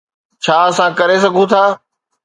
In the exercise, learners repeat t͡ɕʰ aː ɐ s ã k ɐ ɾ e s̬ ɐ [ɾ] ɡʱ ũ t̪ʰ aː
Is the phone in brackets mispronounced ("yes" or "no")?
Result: yes